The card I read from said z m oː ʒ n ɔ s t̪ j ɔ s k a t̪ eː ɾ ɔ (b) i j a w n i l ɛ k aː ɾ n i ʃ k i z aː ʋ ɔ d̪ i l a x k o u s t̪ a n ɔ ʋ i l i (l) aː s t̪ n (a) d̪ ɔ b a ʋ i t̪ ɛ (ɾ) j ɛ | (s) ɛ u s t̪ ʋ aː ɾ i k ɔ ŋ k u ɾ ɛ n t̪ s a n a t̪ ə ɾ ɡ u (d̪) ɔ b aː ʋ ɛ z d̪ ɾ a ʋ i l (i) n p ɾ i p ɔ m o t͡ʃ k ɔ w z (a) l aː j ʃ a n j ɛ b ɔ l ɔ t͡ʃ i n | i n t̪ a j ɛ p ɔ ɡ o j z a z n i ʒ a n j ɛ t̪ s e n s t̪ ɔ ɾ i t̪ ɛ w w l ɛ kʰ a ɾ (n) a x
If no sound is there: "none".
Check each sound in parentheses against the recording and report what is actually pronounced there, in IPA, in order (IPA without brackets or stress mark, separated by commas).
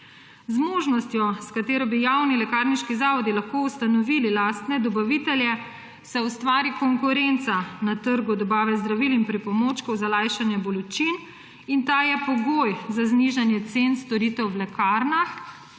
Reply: b, l, ɛ, l, s, d̪, i, a, n